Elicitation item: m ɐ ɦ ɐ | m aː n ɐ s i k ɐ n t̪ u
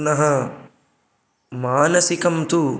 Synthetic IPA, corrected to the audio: n ɐ ɦ ɐ | m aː n ɐ s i k ɐ m t̪ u